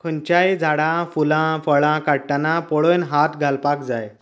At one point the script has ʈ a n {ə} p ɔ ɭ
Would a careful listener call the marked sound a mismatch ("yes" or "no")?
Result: yes